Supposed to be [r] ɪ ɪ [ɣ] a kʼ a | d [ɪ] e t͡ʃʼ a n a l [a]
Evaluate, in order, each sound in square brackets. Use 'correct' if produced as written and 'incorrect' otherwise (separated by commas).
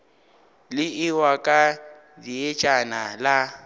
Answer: incorrect, incorrect, incorrect, correct